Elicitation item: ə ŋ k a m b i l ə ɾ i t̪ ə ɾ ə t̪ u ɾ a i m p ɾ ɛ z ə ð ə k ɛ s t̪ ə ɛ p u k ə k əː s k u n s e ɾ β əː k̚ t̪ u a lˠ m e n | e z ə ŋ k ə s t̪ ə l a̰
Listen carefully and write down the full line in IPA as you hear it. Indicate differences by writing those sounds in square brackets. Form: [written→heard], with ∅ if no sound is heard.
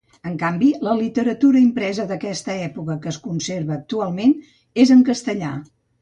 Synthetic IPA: ə ŋ k a m b i l ə [ɾ→l] i t̪ ə ɾ ə t̪ u ɾ [a→ə] i m p ɾ ɛ z ə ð ə k ɛ s t̪ ə ɛ p u k ə k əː s k u n s e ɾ β əː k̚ t̪ u a lˠ m e n | e z ə ŋ k ə s t̪ ə [l→ʎ] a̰